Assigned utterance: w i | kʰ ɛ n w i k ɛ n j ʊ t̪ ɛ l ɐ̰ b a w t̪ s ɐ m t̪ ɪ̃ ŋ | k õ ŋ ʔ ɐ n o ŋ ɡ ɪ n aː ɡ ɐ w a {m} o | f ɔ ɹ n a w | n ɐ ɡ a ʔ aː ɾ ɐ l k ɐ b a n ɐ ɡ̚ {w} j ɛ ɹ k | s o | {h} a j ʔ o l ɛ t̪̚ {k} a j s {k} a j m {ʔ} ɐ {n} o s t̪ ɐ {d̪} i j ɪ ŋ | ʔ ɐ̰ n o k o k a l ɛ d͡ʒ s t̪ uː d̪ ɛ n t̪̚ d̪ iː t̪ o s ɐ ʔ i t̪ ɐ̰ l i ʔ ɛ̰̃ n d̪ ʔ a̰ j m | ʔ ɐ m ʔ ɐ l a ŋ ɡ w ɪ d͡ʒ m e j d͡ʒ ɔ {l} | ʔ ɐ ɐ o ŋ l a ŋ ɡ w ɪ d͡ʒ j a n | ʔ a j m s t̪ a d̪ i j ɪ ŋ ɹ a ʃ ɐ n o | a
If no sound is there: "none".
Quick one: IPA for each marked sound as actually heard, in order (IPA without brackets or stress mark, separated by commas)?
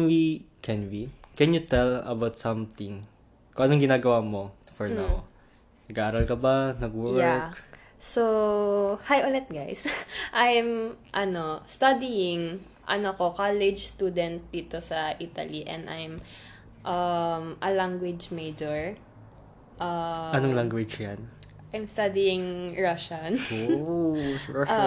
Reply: m, w, h, ɡ, ʔ, ʔ, n, d̪, ɹ